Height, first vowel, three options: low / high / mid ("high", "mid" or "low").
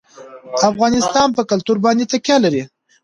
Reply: low